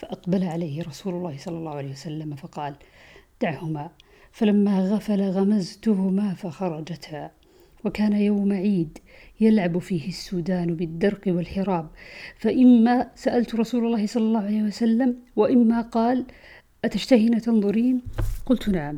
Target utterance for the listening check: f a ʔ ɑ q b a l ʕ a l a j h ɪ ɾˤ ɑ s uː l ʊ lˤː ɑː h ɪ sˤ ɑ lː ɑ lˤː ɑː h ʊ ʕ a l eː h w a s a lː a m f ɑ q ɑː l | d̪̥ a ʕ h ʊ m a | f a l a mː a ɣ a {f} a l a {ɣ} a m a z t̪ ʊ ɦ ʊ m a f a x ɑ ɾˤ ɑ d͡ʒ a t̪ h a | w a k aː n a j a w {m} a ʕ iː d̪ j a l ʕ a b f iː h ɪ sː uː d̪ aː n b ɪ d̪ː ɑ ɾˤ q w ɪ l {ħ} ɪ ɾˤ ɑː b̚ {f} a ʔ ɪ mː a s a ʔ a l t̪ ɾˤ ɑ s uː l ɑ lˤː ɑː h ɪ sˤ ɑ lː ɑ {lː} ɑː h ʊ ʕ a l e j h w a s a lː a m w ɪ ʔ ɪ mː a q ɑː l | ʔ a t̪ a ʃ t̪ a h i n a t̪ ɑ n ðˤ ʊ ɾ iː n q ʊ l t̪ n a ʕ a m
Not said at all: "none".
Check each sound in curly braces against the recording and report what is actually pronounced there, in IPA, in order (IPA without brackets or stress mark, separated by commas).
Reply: f, ɣ, m, ħ, f, lː